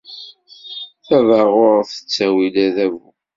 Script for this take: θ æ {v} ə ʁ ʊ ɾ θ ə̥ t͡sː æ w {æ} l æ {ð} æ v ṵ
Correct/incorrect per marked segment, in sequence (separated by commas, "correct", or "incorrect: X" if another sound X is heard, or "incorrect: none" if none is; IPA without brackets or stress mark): correct, incorrect: i, correct